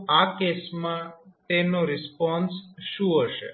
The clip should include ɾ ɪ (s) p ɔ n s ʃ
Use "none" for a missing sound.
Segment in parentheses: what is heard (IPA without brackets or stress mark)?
s